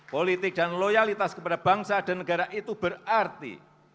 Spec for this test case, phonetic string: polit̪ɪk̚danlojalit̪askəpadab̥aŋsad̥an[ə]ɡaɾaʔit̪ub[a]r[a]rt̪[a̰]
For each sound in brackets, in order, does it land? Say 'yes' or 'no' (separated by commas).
yes, no, yes, no